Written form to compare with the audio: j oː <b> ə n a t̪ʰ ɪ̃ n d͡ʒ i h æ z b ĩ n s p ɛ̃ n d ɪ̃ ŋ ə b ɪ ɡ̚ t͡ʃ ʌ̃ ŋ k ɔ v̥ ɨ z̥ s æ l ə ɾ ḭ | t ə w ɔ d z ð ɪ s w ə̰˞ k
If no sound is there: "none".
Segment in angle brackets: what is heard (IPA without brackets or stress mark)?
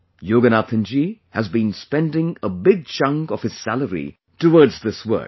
ɡ